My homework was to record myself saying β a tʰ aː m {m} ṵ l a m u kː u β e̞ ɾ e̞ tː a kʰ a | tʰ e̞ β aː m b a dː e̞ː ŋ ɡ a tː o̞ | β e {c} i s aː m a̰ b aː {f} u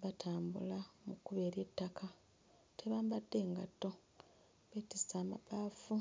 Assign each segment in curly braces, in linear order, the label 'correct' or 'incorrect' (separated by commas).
incorrect, incorrect, correct